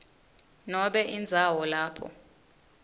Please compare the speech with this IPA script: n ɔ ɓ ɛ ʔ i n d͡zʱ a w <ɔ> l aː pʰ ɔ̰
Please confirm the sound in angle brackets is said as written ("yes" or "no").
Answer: yes